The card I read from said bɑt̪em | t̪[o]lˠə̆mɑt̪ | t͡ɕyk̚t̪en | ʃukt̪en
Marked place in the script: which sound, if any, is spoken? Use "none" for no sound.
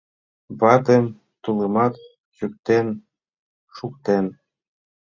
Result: u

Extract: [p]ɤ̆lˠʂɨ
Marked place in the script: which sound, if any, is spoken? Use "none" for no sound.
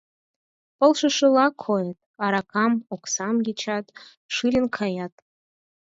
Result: p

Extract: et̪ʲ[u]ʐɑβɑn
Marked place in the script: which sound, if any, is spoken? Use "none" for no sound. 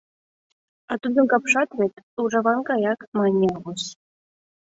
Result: u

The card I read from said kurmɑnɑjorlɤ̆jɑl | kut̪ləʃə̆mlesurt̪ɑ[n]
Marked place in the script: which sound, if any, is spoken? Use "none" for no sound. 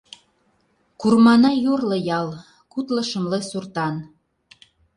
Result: n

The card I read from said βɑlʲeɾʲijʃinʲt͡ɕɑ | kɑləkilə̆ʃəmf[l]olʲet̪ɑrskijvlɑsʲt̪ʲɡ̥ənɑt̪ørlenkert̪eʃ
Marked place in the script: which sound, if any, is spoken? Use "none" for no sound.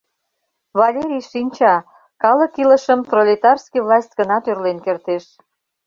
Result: r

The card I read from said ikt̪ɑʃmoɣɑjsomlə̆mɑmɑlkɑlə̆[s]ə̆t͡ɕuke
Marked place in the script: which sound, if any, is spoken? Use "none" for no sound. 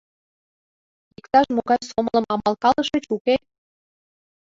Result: ʃ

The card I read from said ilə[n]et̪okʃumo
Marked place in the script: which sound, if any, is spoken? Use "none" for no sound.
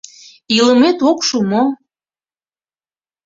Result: m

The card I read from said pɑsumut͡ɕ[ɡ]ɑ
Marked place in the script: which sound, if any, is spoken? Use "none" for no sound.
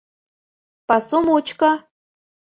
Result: k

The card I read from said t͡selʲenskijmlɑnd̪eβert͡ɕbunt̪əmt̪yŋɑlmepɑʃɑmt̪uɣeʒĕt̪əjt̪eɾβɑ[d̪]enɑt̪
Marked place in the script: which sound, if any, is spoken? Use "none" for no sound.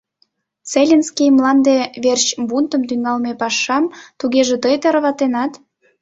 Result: t̪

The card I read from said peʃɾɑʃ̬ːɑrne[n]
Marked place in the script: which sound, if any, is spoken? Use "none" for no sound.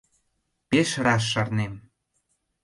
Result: m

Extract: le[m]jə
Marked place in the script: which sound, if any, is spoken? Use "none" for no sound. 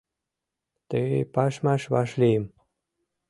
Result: none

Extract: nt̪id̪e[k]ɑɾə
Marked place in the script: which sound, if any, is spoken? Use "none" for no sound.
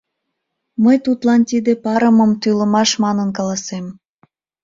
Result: p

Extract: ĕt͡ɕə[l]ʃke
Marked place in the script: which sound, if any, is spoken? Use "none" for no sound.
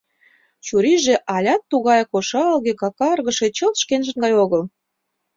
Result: l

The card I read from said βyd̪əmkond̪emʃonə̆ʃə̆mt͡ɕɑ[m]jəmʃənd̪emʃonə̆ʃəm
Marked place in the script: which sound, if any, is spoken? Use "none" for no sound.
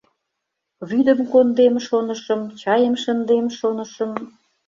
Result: none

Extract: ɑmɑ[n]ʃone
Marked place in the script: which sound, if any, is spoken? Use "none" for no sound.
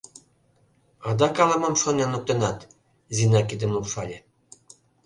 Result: m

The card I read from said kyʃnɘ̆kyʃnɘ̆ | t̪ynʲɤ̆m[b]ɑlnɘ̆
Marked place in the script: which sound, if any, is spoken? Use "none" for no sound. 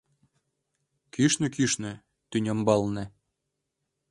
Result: b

